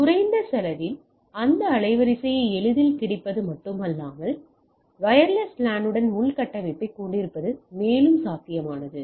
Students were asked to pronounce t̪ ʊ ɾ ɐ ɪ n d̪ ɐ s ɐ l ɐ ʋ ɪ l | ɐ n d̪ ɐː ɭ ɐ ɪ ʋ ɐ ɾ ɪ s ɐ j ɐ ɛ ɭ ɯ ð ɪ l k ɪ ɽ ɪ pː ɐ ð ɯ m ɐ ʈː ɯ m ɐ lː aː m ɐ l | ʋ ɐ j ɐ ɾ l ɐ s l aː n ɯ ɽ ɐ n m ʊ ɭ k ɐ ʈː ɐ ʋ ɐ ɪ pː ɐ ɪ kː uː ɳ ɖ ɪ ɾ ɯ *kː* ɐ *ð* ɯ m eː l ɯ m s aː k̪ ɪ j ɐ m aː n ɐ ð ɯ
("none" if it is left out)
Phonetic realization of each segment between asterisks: pː, ð

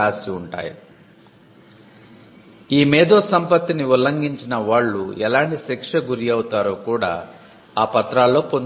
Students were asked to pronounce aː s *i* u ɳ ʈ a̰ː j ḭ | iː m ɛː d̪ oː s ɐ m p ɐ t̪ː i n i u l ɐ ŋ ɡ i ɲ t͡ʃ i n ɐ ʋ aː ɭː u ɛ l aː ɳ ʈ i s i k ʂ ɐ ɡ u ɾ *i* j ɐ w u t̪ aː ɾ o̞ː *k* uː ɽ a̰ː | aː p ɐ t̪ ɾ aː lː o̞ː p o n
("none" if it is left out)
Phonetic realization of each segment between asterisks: i, i, k

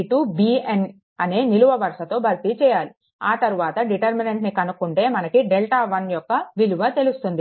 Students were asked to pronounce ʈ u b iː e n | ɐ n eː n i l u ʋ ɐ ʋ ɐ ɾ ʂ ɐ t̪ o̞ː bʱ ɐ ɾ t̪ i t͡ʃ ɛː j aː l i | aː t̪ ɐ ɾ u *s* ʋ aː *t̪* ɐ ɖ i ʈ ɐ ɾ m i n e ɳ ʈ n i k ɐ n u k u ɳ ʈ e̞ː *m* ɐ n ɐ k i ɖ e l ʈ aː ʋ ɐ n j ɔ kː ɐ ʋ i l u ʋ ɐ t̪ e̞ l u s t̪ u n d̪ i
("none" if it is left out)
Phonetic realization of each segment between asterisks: none, t̪, m

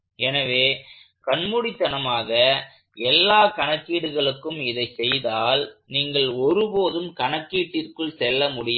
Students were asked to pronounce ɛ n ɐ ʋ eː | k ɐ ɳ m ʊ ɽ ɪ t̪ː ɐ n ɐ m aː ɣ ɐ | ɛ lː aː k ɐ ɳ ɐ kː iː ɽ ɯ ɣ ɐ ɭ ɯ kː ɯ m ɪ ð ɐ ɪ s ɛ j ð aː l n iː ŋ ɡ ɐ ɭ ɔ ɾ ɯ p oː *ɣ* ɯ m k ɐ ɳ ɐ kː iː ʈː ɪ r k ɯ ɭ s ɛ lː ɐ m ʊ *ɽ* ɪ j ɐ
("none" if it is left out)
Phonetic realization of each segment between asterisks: ð, ɽ

